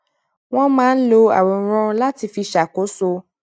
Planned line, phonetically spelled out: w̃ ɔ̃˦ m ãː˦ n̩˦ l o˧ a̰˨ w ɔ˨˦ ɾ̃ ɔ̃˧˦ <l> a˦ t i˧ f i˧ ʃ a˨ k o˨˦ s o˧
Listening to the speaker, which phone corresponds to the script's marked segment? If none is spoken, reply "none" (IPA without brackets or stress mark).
l